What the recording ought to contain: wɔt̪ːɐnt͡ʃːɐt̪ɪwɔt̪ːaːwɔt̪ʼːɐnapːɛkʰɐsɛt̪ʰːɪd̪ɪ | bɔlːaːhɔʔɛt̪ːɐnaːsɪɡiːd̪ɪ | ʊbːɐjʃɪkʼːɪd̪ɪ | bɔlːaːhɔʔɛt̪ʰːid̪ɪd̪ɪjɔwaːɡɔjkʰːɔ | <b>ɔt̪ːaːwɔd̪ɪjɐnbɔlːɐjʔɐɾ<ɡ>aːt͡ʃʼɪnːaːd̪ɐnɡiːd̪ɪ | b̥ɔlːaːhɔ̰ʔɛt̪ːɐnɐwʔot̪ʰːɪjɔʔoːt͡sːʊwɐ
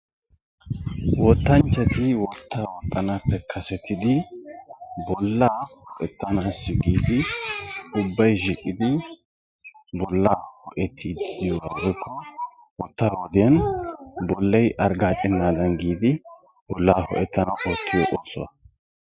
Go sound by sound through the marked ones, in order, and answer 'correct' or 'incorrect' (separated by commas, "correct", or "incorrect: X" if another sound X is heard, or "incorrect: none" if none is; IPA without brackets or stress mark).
incorrect: w, correct